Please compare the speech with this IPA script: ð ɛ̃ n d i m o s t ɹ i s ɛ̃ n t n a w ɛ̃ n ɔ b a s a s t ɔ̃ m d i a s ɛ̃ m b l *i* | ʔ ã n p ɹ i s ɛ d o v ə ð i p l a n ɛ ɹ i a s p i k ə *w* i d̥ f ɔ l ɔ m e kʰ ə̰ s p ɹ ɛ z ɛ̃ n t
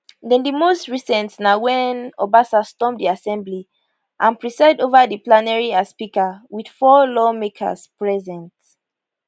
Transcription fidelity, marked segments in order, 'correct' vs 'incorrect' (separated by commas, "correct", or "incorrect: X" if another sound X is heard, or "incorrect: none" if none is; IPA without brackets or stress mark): correct, correct